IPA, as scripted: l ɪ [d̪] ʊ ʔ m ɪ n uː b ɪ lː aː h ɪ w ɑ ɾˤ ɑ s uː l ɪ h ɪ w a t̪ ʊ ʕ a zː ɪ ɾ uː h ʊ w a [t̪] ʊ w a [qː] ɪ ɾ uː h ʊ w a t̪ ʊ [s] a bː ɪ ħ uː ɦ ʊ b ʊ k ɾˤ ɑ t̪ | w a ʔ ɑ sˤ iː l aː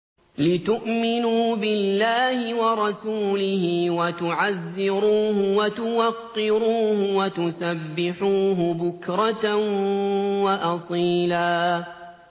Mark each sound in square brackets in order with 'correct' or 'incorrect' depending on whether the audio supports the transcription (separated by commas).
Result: incorrect, correct, correct, correct